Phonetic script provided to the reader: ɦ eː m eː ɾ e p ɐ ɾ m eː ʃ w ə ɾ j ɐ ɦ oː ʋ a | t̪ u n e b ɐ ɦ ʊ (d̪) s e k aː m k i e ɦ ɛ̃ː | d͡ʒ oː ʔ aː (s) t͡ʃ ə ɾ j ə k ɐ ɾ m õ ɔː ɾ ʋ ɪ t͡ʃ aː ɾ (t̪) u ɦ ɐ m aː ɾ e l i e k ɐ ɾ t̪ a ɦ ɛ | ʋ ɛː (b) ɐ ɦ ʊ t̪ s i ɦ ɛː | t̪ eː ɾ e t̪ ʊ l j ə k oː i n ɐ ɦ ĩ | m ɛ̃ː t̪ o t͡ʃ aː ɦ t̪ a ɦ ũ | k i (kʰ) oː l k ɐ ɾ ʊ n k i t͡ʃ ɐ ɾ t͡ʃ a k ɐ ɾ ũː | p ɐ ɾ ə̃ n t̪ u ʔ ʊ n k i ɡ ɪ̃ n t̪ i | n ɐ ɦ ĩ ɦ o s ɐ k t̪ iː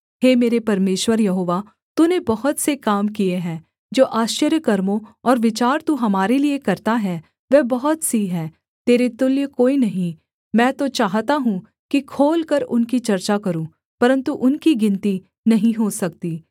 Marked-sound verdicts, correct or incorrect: incorrect: t̪, incorrect: ʃ, correct, correct, correct

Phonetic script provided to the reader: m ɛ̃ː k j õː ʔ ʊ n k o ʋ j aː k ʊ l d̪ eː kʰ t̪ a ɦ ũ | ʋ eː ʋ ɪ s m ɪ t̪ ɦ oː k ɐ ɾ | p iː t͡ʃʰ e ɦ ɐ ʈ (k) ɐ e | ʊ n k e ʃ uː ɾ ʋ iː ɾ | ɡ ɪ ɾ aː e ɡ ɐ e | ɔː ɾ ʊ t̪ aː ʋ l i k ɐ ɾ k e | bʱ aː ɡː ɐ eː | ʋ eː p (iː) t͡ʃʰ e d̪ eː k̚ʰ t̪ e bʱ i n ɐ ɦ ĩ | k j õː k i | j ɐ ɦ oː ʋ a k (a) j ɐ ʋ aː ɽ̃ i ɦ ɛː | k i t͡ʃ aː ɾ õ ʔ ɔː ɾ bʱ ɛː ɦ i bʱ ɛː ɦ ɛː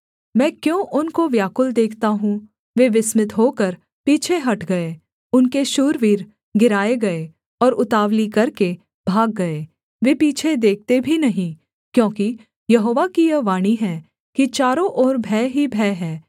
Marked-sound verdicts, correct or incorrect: incorrect: ɡ, correct, incorrect: i

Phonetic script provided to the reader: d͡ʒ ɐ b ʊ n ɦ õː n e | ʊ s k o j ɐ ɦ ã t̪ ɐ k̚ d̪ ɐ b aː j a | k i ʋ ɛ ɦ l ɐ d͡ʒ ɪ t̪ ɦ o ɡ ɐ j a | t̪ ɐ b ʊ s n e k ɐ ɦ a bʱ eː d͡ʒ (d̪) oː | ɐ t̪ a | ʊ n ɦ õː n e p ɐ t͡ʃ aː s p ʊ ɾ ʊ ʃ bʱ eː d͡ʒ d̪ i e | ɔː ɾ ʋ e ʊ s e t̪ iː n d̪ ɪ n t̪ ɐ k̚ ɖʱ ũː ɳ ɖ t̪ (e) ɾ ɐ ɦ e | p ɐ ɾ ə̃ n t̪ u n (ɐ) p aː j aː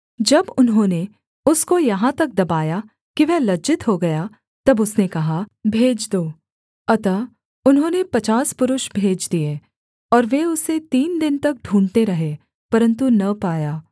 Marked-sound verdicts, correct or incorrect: correct, correct, correct

